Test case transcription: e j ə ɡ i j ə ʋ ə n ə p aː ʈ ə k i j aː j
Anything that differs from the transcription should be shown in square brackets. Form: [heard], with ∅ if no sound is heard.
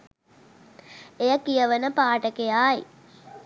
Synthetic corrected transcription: e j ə [k] i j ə ʋ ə n ə p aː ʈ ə k [e] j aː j